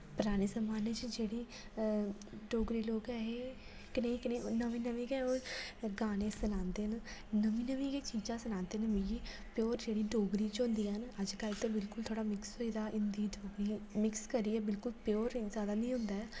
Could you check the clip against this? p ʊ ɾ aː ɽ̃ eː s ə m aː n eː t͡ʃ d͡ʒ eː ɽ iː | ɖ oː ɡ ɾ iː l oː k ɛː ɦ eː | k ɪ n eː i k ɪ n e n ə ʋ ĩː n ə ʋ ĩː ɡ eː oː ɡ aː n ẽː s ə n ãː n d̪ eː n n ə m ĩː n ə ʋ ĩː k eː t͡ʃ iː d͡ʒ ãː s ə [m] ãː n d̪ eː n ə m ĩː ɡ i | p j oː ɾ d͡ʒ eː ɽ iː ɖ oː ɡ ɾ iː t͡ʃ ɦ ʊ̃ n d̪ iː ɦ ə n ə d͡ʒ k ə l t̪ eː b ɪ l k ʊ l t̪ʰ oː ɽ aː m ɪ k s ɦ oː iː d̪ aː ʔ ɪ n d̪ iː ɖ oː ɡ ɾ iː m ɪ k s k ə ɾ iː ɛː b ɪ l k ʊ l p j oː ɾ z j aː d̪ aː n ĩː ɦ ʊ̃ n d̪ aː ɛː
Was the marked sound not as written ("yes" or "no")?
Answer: yes